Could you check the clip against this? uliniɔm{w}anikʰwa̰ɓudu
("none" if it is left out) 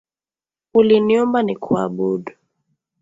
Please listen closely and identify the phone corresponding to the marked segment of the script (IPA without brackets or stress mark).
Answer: b